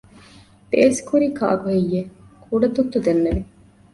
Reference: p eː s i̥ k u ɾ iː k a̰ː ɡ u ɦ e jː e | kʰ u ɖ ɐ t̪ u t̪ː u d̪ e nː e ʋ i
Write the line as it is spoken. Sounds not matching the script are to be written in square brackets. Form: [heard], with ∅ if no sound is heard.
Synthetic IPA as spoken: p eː s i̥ k u ɾ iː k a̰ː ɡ u ɦ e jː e | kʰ u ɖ ɐ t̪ u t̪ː u d̪ e nː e ʋ i